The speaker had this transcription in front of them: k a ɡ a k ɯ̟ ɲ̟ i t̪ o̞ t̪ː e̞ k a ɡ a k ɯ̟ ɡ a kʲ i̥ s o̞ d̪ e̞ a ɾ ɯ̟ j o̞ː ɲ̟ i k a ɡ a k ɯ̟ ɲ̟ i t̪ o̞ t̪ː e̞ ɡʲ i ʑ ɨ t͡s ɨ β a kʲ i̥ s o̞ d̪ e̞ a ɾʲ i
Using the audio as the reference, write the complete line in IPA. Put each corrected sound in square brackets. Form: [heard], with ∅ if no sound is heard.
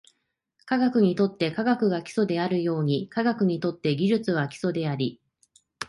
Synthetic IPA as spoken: k a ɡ a k ɯ̟ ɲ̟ i t̪ o̞ t̪ː e̞ k a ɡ a k ɯ̟ ɡ a kʲ i̥ s o̞ d̪ e̞ a ɾ ɯ̟ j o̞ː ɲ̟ i k a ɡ a k ɯ̟ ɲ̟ i t̪ o̞ t̪ː e̞ ɡʲ i ʑ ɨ t͡s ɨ β a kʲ i̥ s o̞ d̪ e̞ a ɾʲ i